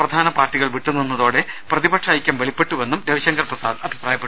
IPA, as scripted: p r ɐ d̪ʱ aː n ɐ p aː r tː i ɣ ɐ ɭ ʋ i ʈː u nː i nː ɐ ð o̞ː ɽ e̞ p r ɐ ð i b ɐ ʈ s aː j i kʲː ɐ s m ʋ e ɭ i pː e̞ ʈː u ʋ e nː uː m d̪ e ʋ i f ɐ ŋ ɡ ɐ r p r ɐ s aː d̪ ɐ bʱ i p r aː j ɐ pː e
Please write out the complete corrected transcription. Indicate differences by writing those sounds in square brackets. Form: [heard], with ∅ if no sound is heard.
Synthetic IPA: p r ɐ d̪ʱ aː n ɐ p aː r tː i ɣ ɐ ɭ ʋ i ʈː u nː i nː ɐ ð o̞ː ɽ e̞ p r ɐ ð i b ɐ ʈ [ʂ] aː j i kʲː ɐ [∅] m ʋ e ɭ i pː e̞ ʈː u ʋ e nː [u] m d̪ e ʋ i [ɕ] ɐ ŋ ɡ ɐ r p r ɐ s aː d̪ ɐ bʱ i p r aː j ɐ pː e